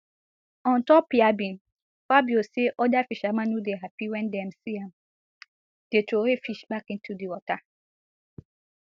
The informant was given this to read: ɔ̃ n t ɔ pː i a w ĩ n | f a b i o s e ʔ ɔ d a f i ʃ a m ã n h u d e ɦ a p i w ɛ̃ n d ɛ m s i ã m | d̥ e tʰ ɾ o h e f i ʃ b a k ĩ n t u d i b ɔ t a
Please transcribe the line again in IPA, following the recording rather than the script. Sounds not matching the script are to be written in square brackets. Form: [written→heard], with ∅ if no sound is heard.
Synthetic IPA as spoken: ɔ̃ n t ɔ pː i a [w→b] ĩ n | f a b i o s e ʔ ɔ d a f i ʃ a m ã n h u d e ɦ a p i w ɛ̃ n d ɛ m s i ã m | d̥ e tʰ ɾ o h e f i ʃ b a k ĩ n t u d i [b→w] ɔ t a